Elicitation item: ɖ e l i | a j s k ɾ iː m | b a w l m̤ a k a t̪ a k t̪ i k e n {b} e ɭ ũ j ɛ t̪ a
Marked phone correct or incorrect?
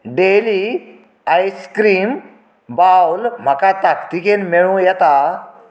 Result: incorrect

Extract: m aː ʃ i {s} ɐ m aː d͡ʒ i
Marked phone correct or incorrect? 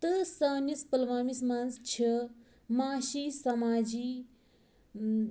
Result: correct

